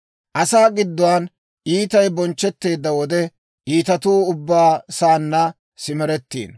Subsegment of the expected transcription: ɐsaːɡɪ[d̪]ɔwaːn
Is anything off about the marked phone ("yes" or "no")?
yes